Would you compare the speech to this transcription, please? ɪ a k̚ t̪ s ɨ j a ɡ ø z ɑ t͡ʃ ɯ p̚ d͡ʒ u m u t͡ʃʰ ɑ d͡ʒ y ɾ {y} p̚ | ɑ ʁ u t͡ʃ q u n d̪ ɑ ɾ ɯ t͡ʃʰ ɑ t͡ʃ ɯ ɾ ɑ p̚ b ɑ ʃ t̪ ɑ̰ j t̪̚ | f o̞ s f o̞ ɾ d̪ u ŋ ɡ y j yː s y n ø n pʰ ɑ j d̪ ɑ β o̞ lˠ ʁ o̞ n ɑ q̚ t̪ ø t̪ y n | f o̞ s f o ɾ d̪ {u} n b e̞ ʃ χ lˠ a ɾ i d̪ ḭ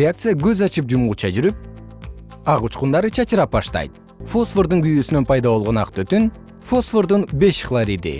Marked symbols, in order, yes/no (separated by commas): yes, yes